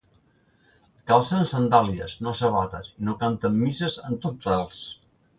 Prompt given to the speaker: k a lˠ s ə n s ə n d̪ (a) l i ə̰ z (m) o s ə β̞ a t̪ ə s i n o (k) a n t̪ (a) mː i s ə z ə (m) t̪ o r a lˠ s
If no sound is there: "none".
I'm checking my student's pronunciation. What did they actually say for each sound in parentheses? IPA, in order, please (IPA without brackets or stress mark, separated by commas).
a, n, k, ə, n